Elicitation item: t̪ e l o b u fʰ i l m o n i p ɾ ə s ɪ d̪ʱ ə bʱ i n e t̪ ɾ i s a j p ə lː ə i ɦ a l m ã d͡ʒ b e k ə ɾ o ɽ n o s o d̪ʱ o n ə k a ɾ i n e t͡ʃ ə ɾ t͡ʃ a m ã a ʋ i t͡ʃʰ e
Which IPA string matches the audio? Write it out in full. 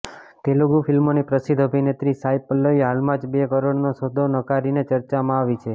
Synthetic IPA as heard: t̪ e l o ɡ u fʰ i l m o n i p ɾ ə s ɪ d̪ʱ ə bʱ i n e t̪ ɾ i s a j p ə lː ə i ɦ a l m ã d͡ʒ b e k ə ɾ o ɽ n o s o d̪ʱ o n ə k a ɾ i n e t͡ʃ ə ɾ t͡ʃ a m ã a ʋ i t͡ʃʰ e